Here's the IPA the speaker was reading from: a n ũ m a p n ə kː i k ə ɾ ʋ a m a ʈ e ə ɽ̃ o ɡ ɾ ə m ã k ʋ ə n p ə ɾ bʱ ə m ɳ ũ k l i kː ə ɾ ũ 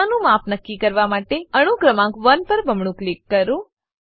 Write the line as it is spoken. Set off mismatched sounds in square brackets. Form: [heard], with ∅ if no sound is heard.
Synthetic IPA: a n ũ m a p n ə kː i k ə ɾ ʋ a m a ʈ e ə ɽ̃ [u] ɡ ɾ ə m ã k ʋ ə n p ə ɾ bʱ ə m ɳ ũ k l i kː ə ɾ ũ